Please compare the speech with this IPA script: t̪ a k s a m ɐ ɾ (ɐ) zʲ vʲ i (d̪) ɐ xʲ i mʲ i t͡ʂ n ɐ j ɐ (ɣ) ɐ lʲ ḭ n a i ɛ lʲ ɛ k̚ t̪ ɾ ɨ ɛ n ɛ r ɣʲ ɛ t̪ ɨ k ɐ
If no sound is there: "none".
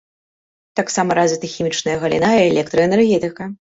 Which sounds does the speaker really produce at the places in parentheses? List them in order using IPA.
a, t̪, ɣ

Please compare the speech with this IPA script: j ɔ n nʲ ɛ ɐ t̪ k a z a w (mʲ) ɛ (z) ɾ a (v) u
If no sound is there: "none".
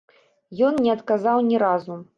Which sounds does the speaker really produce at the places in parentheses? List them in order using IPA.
nʲ, none, z

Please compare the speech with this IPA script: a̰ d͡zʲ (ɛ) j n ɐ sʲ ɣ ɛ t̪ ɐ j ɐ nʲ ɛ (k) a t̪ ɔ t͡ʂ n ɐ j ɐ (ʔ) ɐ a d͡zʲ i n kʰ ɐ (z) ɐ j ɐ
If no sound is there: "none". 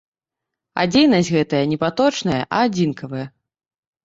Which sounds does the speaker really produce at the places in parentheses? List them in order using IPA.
e, p, ʔ, v

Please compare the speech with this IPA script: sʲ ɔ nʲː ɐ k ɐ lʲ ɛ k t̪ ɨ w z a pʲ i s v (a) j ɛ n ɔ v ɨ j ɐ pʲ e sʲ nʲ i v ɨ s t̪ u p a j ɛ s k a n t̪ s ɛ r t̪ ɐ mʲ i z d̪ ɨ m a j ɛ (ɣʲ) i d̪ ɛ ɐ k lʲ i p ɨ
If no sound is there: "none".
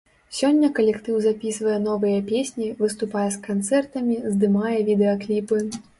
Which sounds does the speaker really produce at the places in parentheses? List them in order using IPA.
ɐ, vʲ

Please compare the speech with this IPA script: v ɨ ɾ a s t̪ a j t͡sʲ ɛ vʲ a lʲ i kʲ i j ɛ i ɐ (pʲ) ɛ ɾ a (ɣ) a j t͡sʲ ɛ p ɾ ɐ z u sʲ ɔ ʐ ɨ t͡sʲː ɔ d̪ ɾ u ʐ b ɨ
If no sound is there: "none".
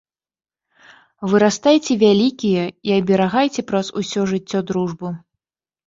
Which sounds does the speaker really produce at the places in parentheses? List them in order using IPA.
bʲ, ɣ

